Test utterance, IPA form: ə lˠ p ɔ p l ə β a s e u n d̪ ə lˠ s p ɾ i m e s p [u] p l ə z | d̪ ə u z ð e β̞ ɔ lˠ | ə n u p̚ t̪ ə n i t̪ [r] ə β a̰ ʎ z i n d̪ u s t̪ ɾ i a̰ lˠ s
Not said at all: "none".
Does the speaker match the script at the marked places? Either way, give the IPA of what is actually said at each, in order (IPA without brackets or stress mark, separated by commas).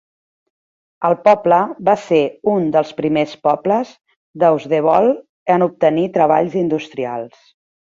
ɔ, ɾ